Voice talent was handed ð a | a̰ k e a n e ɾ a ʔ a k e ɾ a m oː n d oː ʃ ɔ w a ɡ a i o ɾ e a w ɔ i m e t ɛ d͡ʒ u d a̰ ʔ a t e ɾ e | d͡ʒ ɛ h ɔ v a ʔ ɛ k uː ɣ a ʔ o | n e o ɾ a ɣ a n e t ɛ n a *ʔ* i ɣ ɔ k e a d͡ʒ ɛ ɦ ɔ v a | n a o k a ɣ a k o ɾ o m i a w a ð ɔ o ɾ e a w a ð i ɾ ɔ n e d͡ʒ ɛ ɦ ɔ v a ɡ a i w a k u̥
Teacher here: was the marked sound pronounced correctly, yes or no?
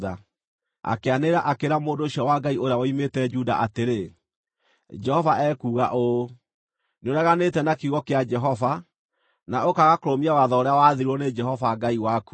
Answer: no